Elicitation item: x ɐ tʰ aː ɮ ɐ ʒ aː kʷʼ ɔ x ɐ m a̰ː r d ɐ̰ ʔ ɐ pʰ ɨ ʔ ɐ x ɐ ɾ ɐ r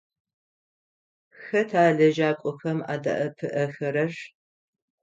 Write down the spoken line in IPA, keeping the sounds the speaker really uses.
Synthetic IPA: x ɐ tʰ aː ɮ ɐ ʒ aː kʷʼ ɔ x ɐ m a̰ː d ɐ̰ ʔ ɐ pʰ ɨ ʔ ɐ x ɐ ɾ ɐ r

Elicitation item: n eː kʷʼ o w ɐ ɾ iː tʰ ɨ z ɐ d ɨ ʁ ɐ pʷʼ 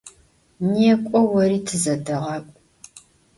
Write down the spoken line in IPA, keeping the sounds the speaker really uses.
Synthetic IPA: n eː kʷʼ ɔ w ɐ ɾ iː tʰ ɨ z ɐ d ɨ ʁ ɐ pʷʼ

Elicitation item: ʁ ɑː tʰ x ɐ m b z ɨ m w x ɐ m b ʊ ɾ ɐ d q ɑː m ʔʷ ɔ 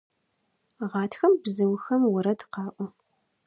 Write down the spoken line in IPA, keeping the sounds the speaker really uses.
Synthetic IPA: ʁ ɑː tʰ x ɐ m b z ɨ w x ɐ m w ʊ ɾ ɐ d q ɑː ʔʷ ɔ

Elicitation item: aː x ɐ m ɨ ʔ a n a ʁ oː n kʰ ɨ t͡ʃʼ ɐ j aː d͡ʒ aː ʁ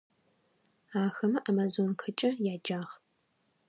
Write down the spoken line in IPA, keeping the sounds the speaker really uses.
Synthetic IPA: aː x ɐ m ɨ ʔ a m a z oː n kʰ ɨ t͡ʃʼ ɐ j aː d͡ʒ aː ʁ

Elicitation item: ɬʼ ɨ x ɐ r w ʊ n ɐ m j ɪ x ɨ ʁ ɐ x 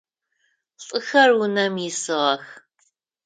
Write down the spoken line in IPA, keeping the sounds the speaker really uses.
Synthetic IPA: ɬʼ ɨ x ɐ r w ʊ n ɐ m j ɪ s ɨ ʁ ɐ x

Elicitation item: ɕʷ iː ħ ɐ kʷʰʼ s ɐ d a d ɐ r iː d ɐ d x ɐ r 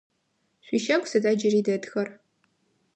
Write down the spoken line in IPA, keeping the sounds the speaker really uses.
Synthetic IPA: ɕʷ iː ʃ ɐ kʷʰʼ s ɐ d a d͡ʒ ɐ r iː d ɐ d x ɐ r

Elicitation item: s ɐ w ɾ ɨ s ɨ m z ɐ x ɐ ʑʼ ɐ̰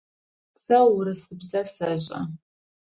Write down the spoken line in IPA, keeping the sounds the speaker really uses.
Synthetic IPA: s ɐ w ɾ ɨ s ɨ b z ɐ s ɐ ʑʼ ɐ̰

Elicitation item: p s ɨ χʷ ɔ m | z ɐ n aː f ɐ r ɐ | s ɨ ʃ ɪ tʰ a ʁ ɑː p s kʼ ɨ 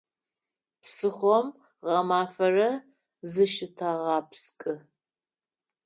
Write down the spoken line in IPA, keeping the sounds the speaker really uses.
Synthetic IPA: p s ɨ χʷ ɔ m | ʁ ɐ m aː f ɐ r ɐ | z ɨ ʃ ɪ tʰ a ʁ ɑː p s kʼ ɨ

